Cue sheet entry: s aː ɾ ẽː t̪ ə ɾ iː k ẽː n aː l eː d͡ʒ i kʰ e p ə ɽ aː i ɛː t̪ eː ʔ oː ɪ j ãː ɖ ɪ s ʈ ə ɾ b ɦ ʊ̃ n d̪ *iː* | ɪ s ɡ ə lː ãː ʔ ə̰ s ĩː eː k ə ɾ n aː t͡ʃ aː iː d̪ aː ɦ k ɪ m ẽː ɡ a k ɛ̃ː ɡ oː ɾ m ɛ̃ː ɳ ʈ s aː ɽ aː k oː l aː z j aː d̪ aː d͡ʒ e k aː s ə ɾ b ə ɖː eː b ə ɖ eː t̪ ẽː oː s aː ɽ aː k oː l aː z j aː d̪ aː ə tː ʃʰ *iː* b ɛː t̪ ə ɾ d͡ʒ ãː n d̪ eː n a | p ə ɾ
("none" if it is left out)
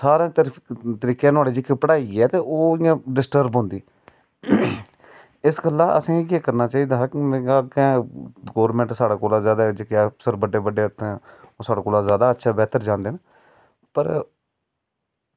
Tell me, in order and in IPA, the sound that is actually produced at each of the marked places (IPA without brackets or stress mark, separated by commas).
iː, aː